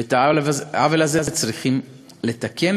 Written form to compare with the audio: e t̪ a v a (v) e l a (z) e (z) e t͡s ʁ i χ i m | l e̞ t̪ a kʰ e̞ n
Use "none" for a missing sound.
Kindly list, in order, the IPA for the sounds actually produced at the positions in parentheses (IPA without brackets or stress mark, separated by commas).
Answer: v, z, z